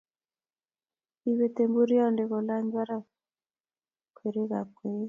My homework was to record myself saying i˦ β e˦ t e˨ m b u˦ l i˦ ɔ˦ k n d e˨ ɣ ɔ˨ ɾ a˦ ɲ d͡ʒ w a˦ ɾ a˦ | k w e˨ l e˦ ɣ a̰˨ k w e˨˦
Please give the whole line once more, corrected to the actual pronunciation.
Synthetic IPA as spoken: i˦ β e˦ t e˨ m b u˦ ɾ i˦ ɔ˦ n d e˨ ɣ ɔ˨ l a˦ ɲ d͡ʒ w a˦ ɾ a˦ | k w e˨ ɾ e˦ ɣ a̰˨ k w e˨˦